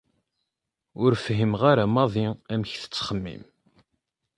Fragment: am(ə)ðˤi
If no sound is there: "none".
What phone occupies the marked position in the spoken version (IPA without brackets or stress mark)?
ɑ